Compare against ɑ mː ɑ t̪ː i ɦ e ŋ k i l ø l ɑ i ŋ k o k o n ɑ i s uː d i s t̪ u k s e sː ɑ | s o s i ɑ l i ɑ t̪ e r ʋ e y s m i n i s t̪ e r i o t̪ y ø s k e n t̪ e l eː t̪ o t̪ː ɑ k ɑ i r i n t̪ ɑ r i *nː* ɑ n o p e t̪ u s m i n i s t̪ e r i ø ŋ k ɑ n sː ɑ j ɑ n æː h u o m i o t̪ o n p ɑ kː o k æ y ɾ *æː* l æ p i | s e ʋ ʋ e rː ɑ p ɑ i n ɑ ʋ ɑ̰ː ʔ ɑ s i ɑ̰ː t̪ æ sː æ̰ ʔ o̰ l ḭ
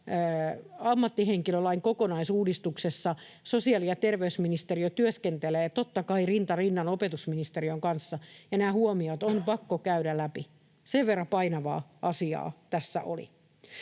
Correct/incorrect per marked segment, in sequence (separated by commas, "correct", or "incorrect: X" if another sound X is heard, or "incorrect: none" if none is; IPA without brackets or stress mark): correct, incorrect: æ